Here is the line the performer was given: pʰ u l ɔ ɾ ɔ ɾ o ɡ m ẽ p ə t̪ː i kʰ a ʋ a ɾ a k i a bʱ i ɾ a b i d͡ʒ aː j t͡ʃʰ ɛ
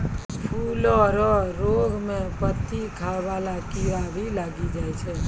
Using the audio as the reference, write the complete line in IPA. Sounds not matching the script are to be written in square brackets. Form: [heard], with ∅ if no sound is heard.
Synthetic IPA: pʰ u l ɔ ɾ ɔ ɾ o ɡ m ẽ p ə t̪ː i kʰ a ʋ a [l] a k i a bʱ i [l] a [ɡ] i d͡ʒ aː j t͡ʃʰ ɛ